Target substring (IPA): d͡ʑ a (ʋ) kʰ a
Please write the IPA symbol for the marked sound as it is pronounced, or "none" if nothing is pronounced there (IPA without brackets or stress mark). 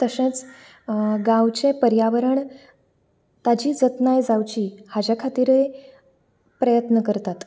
none